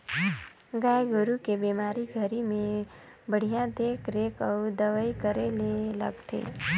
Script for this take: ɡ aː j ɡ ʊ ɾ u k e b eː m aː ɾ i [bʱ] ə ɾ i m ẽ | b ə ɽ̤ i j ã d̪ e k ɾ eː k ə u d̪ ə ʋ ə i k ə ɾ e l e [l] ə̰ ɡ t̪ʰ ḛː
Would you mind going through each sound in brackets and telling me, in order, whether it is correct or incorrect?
incorrect: ɡʱ, correct

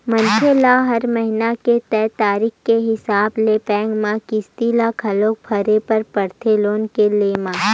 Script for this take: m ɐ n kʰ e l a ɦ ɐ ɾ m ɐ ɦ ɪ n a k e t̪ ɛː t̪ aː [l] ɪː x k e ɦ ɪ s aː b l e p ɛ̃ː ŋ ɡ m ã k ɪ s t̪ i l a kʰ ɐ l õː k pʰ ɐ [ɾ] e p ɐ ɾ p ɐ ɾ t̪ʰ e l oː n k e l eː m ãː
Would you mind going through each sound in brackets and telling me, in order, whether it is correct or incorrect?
incorrect: ɾ, correct

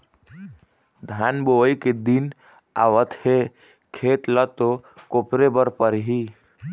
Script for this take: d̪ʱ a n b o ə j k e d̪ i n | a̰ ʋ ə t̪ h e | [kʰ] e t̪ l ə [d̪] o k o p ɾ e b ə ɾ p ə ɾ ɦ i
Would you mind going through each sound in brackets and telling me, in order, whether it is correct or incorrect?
correct, incorrect: t̪

